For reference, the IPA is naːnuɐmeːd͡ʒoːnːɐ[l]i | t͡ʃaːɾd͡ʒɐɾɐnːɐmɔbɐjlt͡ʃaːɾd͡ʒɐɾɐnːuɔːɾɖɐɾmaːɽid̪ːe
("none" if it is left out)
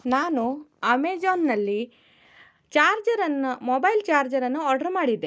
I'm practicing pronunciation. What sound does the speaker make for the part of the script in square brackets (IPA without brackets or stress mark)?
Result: lː